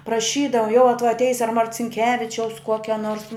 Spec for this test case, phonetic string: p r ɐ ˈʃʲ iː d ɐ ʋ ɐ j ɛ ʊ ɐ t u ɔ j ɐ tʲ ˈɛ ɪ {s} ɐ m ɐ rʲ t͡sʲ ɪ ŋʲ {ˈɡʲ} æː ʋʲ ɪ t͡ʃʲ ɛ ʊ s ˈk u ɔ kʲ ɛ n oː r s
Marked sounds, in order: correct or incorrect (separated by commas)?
correct, incorrect